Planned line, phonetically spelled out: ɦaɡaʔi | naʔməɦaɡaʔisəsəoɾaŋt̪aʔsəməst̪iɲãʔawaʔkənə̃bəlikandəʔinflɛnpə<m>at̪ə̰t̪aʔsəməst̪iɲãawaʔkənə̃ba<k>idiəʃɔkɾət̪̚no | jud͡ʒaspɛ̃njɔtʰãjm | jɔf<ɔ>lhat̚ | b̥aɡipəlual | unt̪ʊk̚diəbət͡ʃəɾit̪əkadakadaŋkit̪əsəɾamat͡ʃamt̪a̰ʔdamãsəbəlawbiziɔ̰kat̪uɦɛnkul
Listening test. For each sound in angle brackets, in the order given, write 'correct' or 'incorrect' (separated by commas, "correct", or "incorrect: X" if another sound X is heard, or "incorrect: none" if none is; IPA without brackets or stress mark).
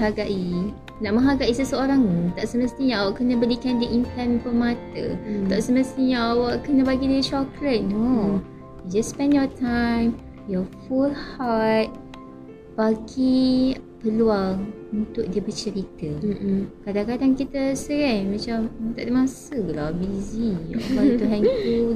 correct, incorrect: ɡ, incorrect: u